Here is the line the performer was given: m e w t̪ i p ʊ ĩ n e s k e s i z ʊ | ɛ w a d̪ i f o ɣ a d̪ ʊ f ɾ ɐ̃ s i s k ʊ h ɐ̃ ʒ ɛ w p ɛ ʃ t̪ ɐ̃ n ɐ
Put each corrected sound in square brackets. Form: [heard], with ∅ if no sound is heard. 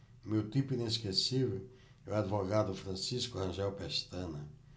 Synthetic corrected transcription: m e w t̪ i p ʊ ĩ n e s k e s i [v] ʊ | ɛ w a d̪ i [v] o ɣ a d̪ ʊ f ɾ ɐ̃ s i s k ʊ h ɐ̃ ʒ ɛ w p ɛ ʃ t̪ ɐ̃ n ɐ